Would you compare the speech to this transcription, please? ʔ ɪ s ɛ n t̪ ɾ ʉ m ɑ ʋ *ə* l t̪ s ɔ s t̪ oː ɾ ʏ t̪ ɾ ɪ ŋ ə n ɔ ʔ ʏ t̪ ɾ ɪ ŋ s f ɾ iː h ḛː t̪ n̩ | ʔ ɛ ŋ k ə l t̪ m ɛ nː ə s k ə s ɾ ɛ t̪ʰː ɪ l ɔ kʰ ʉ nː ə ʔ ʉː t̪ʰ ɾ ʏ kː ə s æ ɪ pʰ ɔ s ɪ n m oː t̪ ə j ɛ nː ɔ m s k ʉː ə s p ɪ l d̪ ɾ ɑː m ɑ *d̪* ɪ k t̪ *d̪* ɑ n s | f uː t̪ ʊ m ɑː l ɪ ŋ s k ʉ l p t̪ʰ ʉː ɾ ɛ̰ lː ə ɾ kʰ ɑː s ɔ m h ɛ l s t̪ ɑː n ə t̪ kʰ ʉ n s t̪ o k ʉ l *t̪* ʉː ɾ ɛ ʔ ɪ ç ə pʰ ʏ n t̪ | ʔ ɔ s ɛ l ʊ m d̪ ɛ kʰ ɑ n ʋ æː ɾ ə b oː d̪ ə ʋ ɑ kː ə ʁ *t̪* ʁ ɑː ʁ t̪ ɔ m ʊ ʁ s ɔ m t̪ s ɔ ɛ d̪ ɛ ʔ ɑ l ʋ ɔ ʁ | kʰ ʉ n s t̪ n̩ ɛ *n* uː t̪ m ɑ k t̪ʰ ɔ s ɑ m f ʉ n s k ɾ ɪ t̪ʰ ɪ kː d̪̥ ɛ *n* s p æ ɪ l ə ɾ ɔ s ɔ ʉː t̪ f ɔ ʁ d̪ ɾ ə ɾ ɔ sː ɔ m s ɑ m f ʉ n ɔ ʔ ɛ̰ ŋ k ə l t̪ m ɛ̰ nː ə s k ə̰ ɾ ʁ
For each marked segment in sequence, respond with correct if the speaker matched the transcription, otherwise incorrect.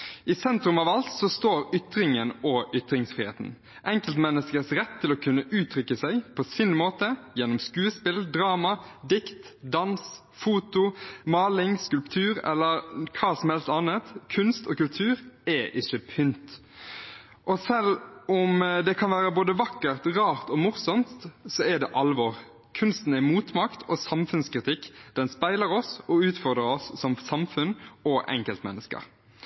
incorrect, correct, correct, incorrect, correct, incorrect, correct

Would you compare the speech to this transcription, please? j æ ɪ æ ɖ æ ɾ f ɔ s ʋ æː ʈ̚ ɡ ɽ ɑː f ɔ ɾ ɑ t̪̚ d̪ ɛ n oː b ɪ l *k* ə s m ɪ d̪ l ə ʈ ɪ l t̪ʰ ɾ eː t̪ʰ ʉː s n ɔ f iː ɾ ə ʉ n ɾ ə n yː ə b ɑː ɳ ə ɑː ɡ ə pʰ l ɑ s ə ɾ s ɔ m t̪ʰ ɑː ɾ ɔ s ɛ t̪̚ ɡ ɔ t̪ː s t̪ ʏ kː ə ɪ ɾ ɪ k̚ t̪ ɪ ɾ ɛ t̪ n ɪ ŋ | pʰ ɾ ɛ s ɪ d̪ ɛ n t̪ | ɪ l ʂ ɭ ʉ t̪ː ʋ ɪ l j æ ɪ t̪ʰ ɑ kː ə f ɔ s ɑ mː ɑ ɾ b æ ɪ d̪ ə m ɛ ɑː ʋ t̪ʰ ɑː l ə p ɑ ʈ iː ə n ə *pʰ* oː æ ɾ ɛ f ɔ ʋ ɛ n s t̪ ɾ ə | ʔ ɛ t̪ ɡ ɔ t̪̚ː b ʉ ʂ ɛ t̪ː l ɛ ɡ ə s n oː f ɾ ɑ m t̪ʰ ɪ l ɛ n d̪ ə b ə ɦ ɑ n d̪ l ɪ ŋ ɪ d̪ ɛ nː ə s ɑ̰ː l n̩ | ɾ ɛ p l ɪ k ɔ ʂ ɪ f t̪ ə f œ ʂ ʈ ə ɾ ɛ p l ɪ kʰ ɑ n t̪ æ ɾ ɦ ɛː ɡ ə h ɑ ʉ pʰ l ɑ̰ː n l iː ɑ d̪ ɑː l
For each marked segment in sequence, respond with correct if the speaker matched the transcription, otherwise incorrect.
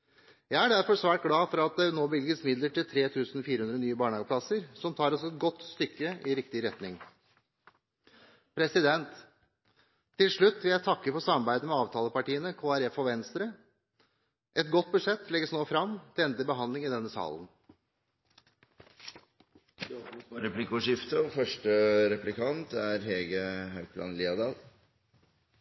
incorrect, incorrect

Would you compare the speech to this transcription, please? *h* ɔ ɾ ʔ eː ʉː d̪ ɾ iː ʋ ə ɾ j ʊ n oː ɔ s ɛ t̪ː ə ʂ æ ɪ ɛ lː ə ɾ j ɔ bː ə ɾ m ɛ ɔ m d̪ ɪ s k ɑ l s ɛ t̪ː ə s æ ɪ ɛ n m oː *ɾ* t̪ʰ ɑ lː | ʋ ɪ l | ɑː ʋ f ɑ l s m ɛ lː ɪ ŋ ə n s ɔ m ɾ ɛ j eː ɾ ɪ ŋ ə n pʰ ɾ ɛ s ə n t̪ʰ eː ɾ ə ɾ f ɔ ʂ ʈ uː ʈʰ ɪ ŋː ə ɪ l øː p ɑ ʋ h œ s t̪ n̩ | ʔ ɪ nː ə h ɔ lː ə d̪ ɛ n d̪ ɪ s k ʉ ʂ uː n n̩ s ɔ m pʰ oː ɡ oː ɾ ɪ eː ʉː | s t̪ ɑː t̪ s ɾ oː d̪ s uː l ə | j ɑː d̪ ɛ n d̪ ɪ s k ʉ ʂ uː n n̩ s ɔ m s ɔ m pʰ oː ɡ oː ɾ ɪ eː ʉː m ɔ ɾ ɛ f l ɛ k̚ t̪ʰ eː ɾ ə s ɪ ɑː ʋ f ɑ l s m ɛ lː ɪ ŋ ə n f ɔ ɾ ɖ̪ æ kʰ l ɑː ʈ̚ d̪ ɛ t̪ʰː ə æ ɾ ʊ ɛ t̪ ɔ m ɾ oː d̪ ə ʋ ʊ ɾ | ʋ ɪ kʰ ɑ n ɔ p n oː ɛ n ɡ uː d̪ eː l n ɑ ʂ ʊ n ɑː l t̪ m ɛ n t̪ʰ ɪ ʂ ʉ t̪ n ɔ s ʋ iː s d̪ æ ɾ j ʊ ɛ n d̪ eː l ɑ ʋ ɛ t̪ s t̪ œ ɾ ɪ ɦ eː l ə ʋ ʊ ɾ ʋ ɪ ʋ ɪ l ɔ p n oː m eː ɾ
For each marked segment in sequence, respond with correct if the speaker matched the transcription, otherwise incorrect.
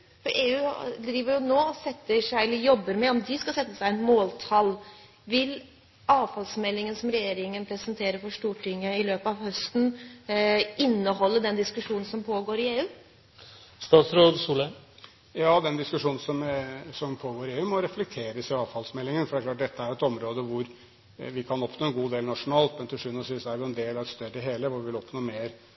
incorrect, incorrect

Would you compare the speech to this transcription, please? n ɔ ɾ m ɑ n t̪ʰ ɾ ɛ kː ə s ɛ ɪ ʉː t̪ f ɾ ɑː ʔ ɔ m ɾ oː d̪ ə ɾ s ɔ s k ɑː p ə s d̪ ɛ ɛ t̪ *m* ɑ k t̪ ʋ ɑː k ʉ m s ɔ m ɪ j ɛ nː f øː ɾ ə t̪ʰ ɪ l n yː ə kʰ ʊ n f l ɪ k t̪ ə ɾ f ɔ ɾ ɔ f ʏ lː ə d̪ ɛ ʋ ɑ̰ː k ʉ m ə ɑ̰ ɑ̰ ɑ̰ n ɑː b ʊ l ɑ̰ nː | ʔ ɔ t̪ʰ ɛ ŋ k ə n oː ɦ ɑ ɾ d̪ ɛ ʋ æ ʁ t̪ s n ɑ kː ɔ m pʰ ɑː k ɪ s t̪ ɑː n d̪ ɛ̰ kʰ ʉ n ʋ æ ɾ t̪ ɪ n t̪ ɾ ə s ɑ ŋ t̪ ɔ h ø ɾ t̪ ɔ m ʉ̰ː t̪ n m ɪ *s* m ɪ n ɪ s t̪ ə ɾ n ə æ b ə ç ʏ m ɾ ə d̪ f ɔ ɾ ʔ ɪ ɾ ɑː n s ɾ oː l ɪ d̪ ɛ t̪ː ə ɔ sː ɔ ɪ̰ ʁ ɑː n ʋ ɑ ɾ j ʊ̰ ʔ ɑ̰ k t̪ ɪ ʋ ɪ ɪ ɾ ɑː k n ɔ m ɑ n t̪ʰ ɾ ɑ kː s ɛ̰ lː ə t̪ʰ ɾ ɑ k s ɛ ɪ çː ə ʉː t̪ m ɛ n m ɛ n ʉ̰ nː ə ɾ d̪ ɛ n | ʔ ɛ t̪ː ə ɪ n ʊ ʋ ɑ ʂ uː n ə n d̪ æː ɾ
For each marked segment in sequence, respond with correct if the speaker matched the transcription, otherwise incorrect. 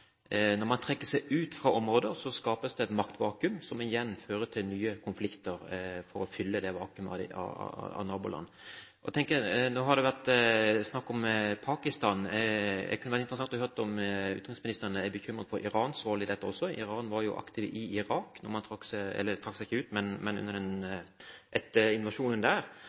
correct, correct

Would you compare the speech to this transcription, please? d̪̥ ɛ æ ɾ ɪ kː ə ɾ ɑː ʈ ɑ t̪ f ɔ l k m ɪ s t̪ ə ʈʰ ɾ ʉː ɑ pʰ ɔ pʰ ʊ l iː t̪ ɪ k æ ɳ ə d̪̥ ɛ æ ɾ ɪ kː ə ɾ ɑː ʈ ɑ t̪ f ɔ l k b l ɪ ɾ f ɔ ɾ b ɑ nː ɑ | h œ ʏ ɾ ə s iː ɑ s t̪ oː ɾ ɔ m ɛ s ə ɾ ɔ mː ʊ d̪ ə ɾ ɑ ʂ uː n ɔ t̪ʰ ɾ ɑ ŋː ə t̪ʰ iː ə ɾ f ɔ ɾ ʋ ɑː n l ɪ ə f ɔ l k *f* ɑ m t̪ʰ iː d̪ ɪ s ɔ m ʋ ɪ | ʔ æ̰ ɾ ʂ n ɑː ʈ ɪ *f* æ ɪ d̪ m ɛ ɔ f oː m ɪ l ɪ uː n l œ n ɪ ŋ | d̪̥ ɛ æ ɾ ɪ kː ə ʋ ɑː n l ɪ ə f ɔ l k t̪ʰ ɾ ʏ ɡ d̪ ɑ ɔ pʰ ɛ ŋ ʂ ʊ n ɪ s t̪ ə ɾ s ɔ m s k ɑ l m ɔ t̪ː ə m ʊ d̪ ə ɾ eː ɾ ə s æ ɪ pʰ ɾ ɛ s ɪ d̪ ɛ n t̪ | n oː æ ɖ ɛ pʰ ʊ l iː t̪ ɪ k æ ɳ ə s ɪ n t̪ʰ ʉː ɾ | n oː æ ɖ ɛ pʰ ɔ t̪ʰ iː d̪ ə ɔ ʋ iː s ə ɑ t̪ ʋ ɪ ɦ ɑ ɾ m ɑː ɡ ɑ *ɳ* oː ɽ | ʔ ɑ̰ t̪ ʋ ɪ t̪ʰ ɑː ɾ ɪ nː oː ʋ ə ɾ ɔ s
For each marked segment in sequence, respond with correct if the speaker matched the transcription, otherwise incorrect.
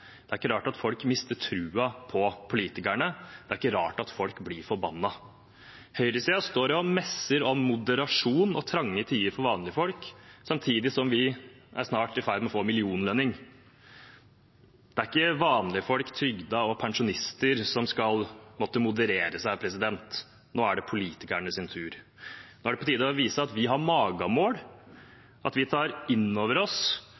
incorrect, correct, incorrect

